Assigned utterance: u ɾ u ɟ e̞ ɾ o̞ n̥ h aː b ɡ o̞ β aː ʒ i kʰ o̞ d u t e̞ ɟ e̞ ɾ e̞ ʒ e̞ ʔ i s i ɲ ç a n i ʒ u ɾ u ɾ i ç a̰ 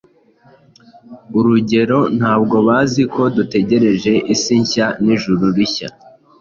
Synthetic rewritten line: u ɾ u ɟ e̞ ɾ o̞ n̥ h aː b ɡ o̞ β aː z i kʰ o̞ d u t e̞ ɟ e̞ ɾ e̞ ʒ e̞ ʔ i s i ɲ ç a n i ʒ u ɾ u ɾ i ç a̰